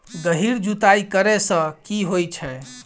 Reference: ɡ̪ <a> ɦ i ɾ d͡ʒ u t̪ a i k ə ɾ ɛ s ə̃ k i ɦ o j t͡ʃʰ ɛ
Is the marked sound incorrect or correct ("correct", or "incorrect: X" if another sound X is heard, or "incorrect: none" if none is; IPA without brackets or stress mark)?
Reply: incorrect: ə